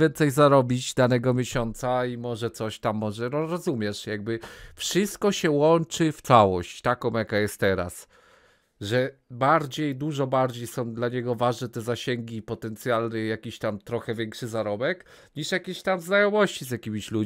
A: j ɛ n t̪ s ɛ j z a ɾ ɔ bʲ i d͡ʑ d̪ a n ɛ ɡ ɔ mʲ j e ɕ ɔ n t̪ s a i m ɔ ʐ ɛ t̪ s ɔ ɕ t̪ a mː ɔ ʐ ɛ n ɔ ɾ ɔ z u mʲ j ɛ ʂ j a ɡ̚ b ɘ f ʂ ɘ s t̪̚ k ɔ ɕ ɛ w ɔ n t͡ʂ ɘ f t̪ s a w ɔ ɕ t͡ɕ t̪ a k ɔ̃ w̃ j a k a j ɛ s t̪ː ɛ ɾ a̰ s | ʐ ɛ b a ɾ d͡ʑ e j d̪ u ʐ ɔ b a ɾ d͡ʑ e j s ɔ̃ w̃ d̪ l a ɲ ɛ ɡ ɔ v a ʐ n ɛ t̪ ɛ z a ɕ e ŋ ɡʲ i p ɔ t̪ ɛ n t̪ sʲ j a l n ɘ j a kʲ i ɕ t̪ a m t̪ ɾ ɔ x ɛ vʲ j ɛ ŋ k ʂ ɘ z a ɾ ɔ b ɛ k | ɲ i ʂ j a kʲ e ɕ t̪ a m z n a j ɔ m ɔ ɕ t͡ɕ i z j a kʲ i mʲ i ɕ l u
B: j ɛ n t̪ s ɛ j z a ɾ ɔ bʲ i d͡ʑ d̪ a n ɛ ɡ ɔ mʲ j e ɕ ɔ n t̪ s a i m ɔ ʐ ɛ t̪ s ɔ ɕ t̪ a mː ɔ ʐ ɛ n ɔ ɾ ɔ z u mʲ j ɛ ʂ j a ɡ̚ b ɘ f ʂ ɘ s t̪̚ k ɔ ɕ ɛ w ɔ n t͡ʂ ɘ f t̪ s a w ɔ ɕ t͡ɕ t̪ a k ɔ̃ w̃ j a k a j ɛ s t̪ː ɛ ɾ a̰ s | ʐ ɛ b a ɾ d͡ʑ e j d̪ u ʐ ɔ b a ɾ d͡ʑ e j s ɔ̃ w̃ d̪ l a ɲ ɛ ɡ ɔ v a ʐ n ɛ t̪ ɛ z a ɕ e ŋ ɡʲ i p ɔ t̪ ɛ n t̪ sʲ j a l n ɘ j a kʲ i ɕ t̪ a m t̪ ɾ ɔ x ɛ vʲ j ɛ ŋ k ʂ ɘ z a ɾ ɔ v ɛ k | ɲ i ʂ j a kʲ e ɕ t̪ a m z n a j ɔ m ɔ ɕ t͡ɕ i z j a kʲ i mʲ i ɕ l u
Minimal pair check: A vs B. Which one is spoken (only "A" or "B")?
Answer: A